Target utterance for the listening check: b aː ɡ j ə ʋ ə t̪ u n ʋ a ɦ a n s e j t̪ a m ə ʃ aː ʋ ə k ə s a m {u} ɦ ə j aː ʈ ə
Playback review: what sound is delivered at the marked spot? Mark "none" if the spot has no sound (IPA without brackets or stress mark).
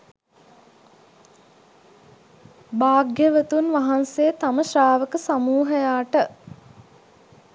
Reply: uː